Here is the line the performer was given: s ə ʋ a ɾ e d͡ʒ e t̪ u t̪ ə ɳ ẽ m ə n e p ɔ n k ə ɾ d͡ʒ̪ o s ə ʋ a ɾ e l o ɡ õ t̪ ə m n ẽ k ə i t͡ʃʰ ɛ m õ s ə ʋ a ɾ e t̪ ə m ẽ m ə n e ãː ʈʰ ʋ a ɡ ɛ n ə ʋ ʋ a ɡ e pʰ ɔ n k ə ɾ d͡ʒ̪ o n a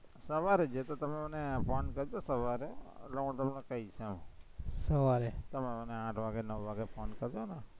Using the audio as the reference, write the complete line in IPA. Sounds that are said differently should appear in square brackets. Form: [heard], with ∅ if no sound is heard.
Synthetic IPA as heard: s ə ʋ a ɾ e d͡ʒ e t̪ [o] t̪ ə [m] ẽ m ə n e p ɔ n k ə ɾ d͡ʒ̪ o s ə ʋ a ɾ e l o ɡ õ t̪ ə m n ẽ k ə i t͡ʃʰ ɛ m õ s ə ʋ a ɾ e t̪ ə m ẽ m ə n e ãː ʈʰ ʋ a ɡ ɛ n ə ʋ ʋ a ɡ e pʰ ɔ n k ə ɾ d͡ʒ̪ o n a

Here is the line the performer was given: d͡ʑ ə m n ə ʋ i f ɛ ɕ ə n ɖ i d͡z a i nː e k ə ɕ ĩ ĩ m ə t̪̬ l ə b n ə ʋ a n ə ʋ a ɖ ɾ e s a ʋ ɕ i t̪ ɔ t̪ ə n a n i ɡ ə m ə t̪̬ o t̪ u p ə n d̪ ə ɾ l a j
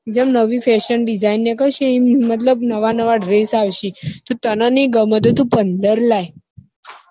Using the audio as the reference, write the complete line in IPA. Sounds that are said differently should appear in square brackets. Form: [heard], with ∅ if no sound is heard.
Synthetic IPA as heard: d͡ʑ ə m n ə ʋ i f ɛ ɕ ə n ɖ i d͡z a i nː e k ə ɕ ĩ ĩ m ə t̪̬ l ə b n ə ʋ a n ə ʋ a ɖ ɾ e s a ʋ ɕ i t̪ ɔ t̪ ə n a n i ɡ ə m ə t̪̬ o t̪ u p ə n d̪ ə ɾ l a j

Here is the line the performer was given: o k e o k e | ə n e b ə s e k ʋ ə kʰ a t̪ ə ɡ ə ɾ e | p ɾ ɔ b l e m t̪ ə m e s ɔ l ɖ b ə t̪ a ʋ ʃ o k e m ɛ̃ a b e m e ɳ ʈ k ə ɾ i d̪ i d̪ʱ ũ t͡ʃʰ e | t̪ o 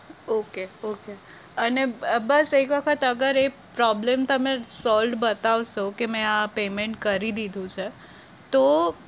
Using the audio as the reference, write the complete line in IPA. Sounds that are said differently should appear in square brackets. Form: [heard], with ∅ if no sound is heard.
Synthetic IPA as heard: o k e o k e | ə n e b ə s e k ʋ ə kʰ [ə] t̪ ə ɡ ə ɾ e | p ɾ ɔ b l e m t̪ ə m e s ɔ l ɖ b ə t̪ a ʋ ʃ o k e m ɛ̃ a [p] e m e ɳ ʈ k ə ɾ i d̪ i d̪ʱ ũ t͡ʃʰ e | t̪ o

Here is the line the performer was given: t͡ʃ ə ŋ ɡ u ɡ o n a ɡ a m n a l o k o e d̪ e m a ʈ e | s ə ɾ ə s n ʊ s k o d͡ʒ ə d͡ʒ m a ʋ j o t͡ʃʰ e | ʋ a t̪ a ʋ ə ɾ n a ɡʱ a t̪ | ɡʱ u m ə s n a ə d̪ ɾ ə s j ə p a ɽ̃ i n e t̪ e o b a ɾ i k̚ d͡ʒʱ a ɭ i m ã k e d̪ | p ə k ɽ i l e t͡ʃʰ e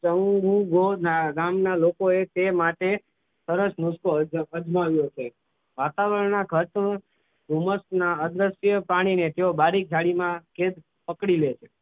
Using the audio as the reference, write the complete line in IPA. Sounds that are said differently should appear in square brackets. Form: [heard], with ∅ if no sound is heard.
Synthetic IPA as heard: t͡ʃ ə ŋ ɡ u ɡ o n a ɡ a m n a l o k o e [t̪] e m a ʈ e | s ə ɾ ə s n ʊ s k o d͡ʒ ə d͡ʒ m a ʋ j o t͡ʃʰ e | ʋ a t̪ a ʋ ə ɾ n a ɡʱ [ə] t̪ | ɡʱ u m ə s n a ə d̪ ɾ ə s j ə p a ɽ̃ i n e t̪ e o b a ɾ i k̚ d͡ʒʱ a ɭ i m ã k e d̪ | p ə k ɽ i l e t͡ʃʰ e

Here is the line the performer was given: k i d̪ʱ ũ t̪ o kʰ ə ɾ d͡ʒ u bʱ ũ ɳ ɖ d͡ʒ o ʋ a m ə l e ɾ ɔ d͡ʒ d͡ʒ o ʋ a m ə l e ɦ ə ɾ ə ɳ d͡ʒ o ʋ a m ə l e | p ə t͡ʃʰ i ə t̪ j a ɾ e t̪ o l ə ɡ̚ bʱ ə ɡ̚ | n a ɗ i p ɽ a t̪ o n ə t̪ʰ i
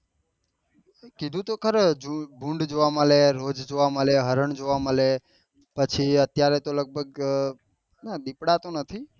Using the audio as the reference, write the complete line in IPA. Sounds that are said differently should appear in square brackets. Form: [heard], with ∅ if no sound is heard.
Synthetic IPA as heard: k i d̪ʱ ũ t̪ o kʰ ə ɾ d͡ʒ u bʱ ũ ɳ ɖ d͡ʒ o ʋ a m ə l e ɾ [o] d͡ʒ d͡ʒ o ʋ a m ə l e ɦ ə ɾ ə ɳ d͡ʒ o ʋ a m ə l e | p ə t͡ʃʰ i ə t̪ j a ɾ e t̪ o l ə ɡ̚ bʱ ə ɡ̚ | n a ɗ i p ɽ a t̪ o n ə t̪ʰ i

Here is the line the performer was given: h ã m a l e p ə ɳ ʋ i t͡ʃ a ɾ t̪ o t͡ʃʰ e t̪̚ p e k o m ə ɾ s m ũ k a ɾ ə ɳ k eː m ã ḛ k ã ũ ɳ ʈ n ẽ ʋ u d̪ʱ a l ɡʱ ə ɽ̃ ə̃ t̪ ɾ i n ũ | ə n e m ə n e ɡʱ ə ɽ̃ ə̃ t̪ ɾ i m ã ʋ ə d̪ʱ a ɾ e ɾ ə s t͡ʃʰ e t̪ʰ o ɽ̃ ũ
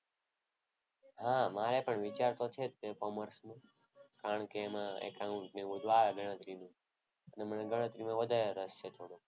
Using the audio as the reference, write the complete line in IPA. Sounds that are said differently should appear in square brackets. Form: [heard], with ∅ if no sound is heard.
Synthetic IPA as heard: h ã m a [ɾ] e p ə ɳ ʋ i t͡ʃ a ɾ t̪ o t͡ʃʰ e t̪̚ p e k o m ə ɾ s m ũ k a ɾ ə ɳ k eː m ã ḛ k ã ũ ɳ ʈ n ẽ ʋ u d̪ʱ a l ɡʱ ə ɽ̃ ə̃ t̪ ɾ i n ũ | ə n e m ə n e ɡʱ ə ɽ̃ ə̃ t̪ ɾ i m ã ʋ ə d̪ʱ a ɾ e ɾ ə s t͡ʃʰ e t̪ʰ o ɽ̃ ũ

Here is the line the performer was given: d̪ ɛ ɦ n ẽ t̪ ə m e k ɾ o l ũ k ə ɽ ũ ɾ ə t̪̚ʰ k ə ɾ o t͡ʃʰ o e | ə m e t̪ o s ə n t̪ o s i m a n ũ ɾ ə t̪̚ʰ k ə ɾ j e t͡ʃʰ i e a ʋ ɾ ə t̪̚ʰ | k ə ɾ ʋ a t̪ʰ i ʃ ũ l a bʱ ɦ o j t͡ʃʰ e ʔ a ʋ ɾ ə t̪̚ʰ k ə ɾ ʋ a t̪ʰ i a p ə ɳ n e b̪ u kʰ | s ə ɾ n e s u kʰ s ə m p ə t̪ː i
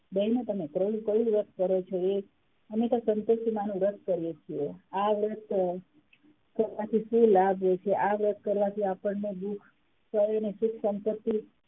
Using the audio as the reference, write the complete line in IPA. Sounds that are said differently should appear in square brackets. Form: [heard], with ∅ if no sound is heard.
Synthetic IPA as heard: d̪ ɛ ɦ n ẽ t̪ ə m e k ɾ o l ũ k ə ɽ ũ ɾ ə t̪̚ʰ k ə ɾ o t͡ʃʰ o e | ə m e t̪ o s ə n t̪ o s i m a n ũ ɾ ə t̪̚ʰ k ə ɾ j e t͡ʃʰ i e a ʋ ɾ ə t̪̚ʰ | k ə ɾ ʋ a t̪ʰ i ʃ ũ l a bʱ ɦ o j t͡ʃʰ e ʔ a ʋ ɾ ə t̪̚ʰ k ə ɾ ʋ a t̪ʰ i a p ə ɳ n e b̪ u kʰ | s ə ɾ n e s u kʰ s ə m p ə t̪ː i

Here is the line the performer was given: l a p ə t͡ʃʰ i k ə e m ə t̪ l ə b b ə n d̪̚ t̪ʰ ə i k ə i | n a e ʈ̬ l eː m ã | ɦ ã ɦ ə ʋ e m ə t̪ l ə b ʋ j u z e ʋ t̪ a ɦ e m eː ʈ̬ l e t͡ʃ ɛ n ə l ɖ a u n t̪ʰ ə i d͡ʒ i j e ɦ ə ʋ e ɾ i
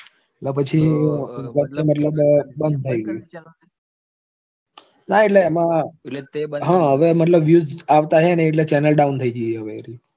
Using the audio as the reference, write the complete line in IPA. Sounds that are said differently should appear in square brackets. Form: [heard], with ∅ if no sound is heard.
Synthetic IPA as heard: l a p ə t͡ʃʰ i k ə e m ə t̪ l ə b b ə n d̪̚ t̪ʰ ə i [ɡ] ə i | n a e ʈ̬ l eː m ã | ɦ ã ɦ ə ʋ e m ə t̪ l ə b ʋ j u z [a] ʋ t̪ a ɦ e [n] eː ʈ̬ l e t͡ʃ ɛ n ə l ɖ a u n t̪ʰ ə i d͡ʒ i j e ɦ ə ʋ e ɾ i

